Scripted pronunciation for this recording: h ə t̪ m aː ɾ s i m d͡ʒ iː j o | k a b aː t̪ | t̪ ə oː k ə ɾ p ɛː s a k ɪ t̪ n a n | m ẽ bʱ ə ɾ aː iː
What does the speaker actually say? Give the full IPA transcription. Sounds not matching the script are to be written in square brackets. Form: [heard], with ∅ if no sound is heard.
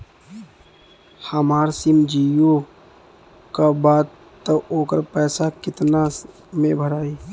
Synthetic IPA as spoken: h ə [∅] m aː ɾ s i m d͡ʒ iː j o | k a b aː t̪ | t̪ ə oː k ə ɾ p ɛː s a k ɪ t̪ n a [∅] | m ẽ bʱ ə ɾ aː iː